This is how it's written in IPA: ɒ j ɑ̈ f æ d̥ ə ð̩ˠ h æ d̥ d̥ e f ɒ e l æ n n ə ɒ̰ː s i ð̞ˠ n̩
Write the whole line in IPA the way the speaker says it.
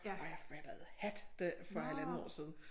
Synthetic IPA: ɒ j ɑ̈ f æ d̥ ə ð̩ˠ h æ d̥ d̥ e f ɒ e l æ n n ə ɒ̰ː s i ð̞ˠ n̩